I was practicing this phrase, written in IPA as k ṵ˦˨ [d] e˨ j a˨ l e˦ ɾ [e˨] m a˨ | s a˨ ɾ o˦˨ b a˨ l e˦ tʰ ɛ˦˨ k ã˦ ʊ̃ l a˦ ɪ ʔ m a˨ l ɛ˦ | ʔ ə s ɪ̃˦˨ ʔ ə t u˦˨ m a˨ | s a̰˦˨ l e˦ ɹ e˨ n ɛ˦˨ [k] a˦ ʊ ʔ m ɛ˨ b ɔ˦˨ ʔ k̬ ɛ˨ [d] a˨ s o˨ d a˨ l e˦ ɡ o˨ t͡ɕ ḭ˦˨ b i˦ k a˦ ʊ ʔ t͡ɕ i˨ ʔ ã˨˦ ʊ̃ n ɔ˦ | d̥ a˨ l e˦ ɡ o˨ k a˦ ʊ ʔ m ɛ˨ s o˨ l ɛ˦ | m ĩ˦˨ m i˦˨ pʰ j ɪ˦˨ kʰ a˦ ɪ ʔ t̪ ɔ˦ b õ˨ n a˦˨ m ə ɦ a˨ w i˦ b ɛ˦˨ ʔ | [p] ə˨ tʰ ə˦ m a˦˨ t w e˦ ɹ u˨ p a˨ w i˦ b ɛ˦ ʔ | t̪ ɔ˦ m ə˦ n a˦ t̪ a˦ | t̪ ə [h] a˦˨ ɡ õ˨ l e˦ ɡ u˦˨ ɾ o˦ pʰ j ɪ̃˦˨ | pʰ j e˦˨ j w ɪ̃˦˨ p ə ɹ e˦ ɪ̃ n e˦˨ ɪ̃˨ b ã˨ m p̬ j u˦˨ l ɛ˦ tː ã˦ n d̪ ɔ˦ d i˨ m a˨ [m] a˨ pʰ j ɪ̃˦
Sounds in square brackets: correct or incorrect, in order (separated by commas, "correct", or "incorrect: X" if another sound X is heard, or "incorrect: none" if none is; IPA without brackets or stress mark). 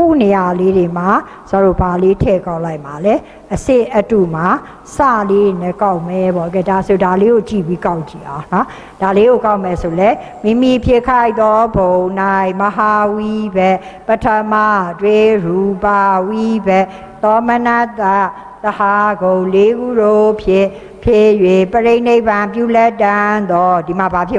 incorrect: n, correct, correct, correct, correct, correct, incorrect: b